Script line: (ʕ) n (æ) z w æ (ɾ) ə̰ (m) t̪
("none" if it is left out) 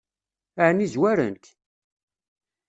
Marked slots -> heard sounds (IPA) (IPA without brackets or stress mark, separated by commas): ʕ, i, ɾ, n